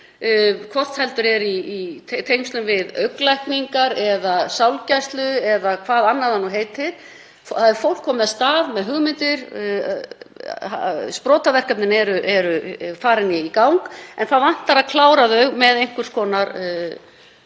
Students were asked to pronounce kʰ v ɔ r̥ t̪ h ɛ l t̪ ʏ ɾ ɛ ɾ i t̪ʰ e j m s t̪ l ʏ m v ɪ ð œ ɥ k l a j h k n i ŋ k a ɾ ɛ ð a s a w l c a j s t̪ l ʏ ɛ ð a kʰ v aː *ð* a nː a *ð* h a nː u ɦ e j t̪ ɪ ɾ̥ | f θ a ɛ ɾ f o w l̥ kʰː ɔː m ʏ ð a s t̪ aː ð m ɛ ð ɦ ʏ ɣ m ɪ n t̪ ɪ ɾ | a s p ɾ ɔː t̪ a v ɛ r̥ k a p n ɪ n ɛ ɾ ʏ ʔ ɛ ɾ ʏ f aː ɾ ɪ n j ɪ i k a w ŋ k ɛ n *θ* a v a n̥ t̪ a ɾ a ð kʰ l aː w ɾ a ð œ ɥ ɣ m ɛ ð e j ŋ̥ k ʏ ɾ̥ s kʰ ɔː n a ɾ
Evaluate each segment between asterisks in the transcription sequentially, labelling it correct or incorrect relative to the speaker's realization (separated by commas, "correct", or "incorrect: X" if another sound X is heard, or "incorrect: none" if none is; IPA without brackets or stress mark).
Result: correct, correct, correct